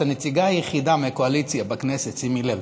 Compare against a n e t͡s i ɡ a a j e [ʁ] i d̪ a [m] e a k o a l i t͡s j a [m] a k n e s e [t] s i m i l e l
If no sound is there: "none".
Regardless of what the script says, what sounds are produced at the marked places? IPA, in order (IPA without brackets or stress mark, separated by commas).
χ, m, b, t